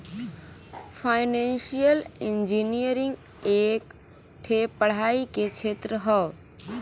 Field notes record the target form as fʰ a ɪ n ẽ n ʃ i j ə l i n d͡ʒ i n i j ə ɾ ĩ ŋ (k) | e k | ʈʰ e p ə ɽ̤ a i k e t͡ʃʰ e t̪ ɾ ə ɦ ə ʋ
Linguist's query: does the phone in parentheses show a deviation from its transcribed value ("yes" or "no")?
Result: yes